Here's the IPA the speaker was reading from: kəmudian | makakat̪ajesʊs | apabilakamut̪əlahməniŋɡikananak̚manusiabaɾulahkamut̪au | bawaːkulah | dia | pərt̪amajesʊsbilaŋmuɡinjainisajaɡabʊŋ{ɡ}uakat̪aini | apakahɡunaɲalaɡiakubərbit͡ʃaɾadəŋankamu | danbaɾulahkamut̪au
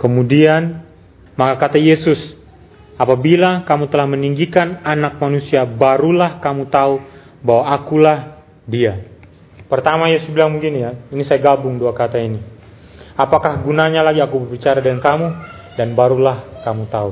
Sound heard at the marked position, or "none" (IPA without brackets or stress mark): d